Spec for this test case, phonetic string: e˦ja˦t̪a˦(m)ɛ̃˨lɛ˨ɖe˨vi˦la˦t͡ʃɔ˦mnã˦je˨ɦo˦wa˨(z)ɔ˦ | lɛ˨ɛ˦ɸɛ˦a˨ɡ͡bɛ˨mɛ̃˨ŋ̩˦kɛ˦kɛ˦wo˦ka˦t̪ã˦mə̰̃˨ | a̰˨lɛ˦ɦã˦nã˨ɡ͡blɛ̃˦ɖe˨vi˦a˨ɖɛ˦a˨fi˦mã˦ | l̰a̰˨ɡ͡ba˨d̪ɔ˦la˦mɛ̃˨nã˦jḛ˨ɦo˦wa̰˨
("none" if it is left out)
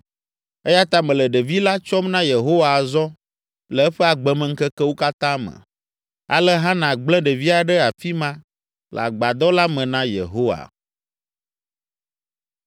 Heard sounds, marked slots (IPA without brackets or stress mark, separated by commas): m, z